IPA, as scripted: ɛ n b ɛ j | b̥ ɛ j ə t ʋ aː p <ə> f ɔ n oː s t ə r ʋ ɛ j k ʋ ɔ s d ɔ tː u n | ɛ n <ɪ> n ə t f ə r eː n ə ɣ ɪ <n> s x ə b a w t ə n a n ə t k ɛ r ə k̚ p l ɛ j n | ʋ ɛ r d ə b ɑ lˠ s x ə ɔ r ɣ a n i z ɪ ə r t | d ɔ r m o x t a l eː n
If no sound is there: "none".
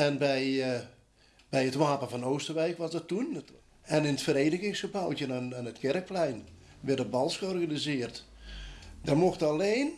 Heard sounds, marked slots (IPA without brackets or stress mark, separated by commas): ə, ɪ, ŋ